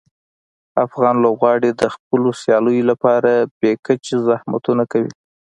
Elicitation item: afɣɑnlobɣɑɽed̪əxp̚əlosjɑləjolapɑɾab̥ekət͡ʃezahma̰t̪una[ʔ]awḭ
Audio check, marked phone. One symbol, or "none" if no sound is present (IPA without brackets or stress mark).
k